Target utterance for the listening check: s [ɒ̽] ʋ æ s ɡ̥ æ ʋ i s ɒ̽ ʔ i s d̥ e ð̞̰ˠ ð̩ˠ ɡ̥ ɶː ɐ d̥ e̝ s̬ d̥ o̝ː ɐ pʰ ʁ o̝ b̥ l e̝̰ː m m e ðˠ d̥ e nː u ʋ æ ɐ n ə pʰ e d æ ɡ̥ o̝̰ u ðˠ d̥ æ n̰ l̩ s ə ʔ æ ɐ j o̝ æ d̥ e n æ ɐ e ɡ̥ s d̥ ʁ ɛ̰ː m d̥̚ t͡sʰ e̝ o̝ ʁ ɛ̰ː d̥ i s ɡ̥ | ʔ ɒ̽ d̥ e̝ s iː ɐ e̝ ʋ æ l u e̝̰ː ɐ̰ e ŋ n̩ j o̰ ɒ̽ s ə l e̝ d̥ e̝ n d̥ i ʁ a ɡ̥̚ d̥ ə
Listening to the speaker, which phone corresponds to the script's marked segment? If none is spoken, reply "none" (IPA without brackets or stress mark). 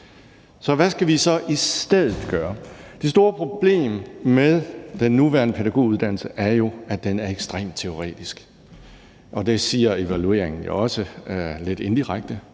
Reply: ɒ̽